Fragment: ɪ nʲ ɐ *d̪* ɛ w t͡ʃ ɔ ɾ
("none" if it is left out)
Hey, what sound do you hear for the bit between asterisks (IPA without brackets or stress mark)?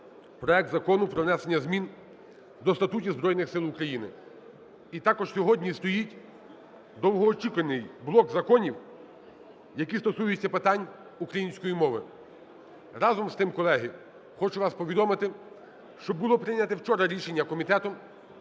t̪